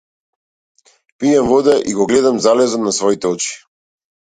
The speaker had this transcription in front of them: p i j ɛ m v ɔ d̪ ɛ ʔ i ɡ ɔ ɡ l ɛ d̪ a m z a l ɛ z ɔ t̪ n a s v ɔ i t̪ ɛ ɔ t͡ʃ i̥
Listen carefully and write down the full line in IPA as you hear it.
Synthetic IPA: p i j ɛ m v ɔ d̪ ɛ ʔ i ɡ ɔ ɡ l ɛ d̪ a m z a l ɛ z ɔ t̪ n a s v ɔ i t̪ ɛ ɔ t͡ʃ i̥